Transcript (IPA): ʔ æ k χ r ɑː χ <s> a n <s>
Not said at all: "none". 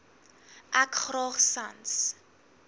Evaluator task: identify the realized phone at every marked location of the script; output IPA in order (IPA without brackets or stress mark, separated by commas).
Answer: s, s